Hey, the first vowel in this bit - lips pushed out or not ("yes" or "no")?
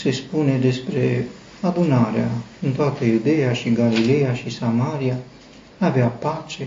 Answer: no